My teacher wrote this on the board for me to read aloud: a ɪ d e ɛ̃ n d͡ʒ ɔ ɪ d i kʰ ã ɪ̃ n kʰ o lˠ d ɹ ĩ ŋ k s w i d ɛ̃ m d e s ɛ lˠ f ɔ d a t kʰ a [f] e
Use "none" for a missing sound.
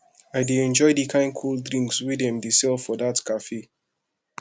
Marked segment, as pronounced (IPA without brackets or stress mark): f